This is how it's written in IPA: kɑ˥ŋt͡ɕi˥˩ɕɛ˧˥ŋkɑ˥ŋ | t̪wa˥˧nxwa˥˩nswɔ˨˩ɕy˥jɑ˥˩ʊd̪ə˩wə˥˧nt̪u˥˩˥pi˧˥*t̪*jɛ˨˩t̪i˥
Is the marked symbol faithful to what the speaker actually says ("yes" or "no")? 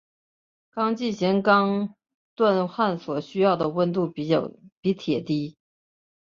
no